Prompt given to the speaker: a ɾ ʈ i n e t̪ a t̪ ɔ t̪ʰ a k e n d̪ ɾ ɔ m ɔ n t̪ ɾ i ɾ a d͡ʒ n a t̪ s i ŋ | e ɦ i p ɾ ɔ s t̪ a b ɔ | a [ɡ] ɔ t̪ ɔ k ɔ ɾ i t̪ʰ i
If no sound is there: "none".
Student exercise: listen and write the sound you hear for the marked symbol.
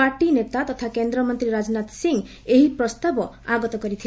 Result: ɡ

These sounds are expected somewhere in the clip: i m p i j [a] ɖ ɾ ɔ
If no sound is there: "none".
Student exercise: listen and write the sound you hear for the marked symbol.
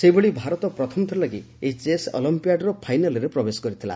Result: a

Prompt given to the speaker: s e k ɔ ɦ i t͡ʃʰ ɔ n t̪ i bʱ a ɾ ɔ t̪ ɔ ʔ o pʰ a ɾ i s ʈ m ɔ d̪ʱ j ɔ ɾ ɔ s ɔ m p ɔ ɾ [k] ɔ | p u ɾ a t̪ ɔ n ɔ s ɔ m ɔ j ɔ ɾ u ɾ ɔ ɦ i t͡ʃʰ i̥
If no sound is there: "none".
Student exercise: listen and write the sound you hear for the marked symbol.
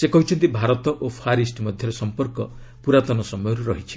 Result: k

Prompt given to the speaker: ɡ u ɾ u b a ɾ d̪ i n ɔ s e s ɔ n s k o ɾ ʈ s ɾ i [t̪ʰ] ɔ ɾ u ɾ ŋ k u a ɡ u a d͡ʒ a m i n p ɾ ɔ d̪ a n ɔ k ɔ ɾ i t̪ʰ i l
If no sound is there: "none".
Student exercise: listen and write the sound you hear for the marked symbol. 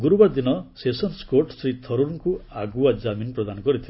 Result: t̪ʰ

